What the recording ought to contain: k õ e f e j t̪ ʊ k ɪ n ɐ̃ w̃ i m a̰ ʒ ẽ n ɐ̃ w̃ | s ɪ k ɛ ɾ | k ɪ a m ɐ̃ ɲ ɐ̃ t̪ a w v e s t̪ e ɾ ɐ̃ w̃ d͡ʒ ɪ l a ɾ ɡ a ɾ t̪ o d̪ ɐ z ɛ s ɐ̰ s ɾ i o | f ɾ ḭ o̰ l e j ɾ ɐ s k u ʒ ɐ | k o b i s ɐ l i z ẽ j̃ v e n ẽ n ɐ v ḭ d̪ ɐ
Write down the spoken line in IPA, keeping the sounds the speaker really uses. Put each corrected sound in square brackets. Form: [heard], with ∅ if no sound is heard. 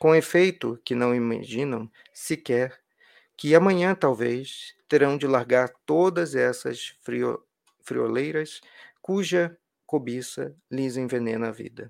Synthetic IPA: k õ e f e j t̪ ʊ k ɪ n ɐ̃ w̃ i m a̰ ʒ [ĩ] n ɐ̃ w̃ | s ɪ k ɛ ɾ | k ɪ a m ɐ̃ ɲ ɐ̃ t̪ a w v e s t̪ e ɾ ɐ̃ w̃ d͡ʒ ɪ l a ɾ ɡ a ɾ t̪ o d̪ ɐ z ɛ s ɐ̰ s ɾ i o | f ɾ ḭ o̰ l e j ɾ ɐ s k u ʒ ɐ | k o b i s ɐ l i z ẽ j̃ v e n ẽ n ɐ v ḭ d̪ ɐ